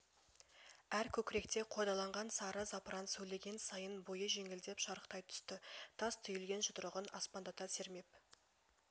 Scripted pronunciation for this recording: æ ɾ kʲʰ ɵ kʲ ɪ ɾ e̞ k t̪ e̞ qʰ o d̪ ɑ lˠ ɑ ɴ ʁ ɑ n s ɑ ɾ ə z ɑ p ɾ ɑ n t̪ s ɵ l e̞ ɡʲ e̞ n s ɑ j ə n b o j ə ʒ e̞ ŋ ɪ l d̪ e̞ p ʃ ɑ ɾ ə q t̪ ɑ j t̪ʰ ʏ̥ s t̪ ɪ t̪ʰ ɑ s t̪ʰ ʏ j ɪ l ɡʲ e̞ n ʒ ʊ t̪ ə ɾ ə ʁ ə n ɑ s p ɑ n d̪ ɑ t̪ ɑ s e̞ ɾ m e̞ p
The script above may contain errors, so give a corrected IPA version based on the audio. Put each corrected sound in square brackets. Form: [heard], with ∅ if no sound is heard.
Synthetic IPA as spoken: æ ɾ kʲʰ ɵ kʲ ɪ ɾ e̞ k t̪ e̞ qʰ o d̪ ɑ lˠ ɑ ɴ ʁ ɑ n s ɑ ɾ ə z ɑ p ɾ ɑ n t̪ s ɵ l e̞ ɡʲ e̞ n s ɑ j ə n b o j ə ʒ e̞ ŋ ɪ l d̪ e̞ p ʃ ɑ ɾ ə q t̪ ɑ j t̪ʰ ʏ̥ s t̪ ɪ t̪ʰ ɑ s t̪ʰ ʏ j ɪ l ɡʲ e̞ n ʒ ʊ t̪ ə ɾ ə ʁ ə n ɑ s p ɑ n d̪ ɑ t̪ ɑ s e̞ ɾ m e̞ p